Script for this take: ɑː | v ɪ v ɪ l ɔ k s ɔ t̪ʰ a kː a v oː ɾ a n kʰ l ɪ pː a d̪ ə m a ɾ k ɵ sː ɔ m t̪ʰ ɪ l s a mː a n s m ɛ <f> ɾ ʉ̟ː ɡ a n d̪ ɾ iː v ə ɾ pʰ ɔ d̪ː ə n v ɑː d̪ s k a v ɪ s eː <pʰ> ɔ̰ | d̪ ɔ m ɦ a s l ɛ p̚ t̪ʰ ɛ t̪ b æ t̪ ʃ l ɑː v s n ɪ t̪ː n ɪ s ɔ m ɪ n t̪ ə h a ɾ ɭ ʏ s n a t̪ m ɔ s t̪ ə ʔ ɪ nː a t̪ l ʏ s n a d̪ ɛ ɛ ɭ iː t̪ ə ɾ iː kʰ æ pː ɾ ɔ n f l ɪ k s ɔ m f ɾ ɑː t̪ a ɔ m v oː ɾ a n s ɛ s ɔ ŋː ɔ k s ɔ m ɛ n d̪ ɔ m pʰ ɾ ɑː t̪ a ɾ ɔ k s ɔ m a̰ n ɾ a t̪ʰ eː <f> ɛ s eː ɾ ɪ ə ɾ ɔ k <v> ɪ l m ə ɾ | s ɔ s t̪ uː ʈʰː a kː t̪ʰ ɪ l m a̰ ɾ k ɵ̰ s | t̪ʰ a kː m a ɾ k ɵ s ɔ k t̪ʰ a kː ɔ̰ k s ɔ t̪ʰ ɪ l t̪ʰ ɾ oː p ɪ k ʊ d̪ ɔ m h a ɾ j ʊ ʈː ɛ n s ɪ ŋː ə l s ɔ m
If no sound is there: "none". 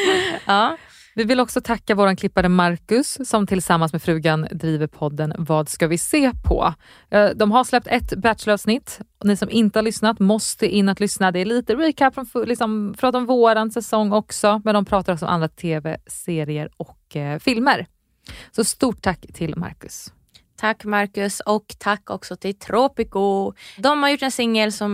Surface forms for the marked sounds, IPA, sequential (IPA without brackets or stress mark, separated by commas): f, pʰ, v, f